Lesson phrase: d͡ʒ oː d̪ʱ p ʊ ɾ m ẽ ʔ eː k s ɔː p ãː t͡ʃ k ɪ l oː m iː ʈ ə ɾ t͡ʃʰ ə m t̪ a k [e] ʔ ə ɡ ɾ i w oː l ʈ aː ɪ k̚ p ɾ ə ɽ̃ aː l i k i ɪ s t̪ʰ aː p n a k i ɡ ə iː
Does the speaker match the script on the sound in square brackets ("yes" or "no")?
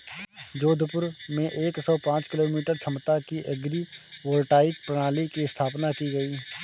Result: no